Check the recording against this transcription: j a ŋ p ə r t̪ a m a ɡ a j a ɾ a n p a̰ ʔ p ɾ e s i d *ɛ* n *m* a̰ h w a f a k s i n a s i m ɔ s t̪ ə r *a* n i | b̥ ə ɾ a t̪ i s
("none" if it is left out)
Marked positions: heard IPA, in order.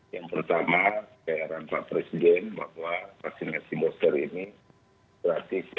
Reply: ɛ, b, i

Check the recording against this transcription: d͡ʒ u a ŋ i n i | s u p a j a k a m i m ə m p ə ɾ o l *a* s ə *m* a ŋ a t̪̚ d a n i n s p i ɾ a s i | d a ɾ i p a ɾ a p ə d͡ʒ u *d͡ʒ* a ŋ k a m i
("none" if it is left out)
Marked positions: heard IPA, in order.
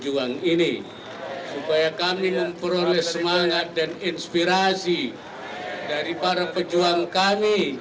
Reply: ɛ, m, none

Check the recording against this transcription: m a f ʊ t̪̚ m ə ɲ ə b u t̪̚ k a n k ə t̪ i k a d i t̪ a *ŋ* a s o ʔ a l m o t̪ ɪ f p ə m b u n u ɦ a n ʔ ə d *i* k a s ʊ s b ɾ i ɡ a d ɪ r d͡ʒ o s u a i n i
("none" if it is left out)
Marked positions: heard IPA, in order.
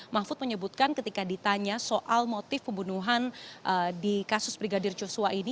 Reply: ɲ, i

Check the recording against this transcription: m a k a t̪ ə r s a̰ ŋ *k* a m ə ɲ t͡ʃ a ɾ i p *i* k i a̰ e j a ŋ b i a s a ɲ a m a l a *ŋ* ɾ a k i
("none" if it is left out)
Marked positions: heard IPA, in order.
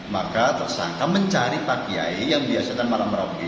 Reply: k, a, m

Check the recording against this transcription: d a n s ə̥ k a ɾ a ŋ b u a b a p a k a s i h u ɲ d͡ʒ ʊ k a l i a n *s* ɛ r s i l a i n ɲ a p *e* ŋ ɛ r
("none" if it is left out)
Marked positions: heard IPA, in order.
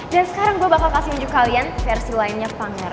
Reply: f, a

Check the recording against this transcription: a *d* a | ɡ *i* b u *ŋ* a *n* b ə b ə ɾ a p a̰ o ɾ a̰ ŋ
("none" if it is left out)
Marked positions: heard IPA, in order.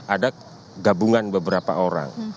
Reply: d, a, ŋ, n

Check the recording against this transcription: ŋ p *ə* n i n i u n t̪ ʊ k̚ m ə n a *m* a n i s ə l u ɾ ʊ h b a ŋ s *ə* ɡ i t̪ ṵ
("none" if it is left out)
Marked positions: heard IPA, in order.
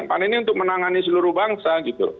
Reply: a, ŋ, a

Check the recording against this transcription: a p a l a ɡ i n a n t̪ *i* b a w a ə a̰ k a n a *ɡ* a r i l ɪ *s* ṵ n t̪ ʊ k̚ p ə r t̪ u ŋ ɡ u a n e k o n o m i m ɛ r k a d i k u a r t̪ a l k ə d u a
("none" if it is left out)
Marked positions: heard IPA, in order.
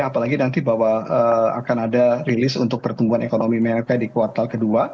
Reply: i, d, s

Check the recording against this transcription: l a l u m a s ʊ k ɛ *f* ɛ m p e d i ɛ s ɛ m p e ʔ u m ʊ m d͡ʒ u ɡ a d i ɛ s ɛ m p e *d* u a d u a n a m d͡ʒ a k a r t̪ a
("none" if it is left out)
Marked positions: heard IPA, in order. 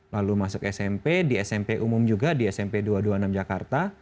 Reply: s, d

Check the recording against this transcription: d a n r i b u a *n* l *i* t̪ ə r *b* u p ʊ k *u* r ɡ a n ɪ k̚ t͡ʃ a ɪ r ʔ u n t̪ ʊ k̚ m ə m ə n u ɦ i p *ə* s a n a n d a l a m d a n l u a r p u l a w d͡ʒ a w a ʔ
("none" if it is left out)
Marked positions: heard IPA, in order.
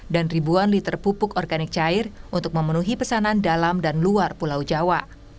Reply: n, i, p, ɔ, ə

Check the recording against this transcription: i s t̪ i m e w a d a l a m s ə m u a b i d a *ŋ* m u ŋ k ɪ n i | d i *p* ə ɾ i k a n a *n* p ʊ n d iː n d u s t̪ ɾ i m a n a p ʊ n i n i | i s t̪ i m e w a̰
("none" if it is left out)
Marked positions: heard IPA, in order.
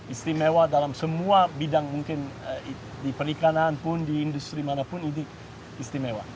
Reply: ŋ, p, n

